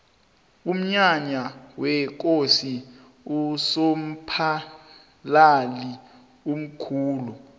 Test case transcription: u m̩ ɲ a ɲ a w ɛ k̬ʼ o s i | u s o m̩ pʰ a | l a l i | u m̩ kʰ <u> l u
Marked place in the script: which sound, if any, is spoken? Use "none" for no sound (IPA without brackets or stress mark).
uː